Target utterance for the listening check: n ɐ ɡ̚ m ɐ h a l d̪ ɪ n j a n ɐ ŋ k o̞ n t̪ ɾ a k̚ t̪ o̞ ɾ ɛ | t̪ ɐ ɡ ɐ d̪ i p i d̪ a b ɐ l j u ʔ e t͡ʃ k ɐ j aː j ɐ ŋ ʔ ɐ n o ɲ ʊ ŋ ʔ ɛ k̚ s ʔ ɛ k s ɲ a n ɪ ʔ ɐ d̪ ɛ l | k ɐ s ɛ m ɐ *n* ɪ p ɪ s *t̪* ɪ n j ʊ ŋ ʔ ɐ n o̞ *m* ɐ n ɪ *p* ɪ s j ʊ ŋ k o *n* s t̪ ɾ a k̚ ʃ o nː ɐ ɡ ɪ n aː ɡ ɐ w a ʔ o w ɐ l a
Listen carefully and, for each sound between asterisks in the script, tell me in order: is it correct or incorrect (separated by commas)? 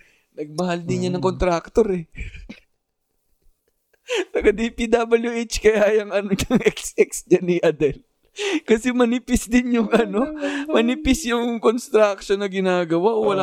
correct, incorrect, correct, correct, correct